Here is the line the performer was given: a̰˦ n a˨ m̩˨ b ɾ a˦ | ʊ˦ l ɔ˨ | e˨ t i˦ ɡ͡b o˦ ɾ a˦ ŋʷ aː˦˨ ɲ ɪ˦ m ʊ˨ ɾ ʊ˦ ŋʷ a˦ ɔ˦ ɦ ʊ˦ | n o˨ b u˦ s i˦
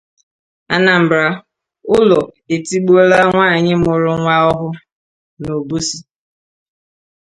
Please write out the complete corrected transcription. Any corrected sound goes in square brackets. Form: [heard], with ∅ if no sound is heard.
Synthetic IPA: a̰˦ n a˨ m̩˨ b ɾ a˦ | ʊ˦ l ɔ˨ | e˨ t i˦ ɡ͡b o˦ [l] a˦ ŋʷ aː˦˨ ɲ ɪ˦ m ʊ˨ ɾ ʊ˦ ŋʷ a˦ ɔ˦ ɦ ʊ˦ | n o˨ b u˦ s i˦